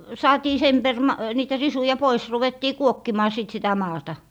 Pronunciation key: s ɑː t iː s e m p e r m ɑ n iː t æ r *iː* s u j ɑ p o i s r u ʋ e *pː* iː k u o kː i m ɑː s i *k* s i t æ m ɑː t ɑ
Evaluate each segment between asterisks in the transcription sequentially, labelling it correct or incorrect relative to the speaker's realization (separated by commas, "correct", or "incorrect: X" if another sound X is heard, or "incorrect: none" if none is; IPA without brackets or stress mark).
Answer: incorrect: i, incorrect: tː, incorrect: t